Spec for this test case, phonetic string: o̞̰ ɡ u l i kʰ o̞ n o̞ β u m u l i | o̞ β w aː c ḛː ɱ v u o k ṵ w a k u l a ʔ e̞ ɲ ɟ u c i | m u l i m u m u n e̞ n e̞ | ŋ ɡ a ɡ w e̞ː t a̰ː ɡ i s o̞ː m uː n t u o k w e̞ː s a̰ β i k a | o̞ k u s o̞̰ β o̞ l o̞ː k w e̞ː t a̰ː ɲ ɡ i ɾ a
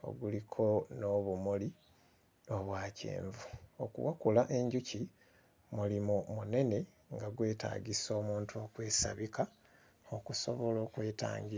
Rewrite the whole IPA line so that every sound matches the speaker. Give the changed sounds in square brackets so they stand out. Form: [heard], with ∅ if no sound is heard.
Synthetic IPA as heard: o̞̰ ɡ u l i kʰ o̞ n o̞ β u m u l i | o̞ β w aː c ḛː ɱ v u o k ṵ w a k u l a ʔ e̞ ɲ ɟ u c i | m u l i m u m u n e̞ n e̞ | ŋ ɡ a ɡ w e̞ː t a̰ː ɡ i s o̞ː m uː n t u o k w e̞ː s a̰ β i k a | o̞ k u s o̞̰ β o̞ l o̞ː k w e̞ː t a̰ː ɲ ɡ i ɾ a